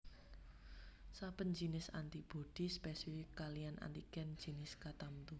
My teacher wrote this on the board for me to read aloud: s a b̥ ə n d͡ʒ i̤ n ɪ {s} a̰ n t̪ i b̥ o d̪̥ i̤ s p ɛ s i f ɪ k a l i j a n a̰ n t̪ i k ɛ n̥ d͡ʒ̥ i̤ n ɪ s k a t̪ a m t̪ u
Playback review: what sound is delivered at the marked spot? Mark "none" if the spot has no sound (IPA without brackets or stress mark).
s